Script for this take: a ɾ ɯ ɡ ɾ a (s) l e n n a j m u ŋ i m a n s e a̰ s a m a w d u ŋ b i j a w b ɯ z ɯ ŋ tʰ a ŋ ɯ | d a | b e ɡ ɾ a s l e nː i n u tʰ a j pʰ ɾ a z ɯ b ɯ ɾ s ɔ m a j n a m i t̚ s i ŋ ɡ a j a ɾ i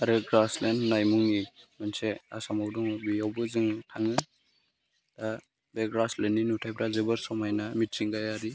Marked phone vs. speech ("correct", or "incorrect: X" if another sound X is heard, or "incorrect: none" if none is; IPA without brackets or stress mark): correct